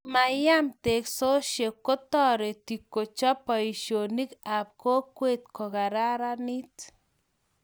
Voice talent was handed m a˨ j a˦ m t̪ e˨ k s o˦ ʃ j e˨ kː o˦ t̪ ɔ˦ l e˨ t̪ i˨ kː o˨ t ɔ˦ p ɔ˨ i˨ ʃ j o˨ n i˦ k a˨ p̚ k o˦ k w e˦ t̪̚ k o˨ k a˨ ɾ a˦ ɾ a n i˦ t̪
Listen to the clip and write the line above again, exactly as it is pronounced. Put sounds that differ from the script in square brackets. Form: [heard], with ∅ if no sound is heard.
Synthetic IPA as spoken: m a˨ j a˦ m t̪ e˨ k s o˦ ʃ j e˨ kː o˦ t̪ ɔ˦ [ɾ] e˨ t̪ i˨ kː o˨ [t͡ʃ] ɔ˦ p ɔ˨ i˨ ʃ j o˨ n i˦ k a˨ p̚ k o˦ k w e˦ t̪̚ k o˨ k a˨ ɾ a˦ ɾ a n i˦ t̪